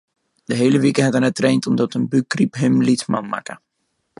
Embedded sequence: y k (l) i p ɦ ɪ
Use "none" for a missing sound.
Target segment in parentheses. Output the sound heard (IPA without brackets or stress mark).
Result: r